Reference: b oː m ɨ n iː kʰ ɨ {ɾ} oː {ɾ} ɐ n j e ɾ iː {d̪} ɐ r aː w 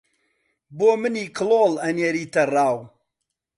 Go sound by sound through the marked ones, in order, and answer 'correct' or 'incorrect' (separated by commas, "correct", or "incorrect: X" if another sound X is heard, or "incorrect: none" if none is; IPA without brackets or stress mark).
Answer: incorrect: l, incorrect: l, incorrect: t̪